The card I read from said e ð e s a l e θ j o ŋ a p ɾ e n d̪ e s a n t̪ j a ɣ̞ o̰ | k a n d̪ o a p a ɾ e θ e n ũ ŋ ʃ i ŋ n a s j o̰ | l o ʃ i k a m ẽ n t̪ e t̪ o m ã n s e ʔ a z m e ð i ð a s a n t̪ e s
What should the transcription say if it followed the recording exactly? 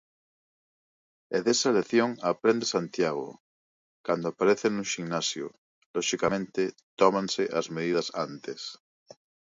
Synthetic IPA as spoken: e ð e s a l e θ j o ŋ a p ɾ e n d̪ e s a n t̪ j a ɣ̞ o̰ | k a n d̪ o a p a ɾ e θ e n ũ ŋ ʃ i ŋ n a s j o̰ | l o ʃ i k a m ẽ n t̪ e t̪ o m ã n s e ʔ a z m e ð i ð a s a n t̪ e s